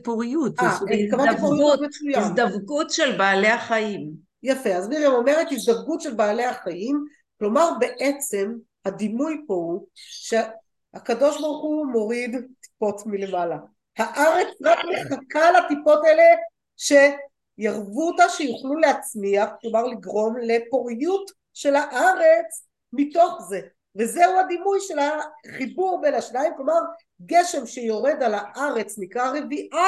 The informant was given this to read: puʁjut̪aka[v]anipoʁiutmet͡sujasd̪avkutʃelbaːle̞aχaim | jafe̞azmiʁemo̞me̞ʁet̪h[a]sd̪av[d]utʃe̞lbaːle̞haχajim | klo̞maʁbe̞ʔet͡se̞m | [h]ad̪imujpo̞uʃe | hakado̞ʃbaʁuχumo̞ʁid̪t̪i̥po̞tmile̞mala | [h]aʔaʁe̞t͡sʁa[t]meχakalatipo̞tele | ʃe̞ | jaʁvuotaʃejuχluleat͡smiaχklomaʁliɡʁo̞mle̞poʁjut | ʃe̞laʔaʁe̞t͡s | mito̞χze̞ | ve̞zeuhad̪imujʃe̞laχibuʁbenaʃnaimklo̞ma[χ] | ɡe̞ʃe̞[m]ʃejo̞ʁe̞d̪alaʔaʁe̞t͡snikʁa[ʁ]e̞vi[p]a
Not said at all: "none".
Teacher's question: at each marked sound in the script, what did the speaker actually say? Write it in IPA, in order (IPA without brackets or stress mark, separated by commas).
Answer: v, i, ɡ, h, h, k, ʁ, m, ʁ, ʔ